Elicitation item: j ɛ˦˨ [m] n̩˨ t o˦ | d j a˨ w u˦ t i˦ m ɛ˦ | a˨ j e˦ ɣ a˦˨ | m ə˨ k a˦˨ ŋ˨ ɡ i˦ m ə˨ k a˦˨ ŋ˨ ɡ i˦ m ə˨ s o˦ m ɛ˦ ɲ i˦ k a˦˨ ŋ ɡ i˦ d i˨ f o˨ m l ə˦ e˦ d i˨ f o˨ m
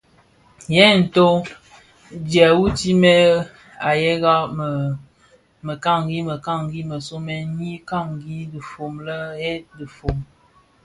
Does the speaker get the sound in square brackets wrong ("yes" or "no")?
yes